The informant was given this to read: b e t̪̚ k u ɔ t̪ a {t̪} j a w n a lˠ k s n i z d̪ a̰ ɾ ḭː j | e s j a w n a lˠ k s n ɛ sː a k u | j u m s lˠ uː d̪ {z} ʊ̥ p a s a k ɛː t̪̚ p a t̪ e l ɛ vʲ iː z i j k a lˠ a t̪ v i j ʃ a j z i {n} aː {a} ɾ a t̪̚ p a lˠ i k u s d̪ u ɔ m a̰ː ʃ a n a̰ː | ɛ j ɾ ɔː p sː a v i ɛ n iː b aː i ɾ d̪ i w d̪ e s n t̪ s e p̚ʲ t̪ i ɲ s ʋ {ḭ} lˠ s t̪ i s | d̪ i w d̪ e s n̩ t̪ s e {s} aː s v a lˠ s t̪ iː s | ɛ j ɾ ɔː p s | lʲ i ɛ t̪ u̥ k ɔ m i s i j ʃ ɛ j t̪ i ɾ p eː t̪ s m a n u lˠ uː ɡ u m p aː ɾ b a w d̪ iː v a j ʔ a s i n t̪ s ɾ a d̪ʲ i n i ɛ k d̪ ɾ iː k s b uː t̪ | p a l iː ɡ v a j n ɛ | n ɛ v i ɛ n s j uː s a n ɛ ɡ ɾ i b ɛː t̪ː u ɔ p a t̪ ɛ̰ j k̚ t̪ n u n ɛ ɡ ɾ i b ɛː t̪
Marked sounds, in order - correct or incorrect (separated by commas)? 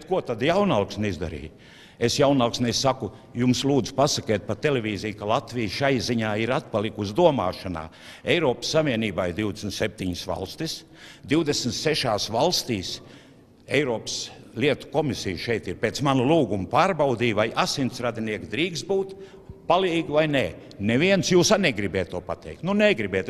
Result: incorrect, correct, incorrect, incorrect, incorrect, incorrect